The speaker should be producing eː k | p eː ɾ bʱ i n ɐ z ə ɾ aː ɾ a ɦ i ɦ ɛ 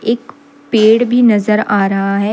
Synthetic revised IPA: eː k | p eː ɽ bʱ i n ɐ z ə ɾ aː ɾ ɐ ɦ a ɦ ɛ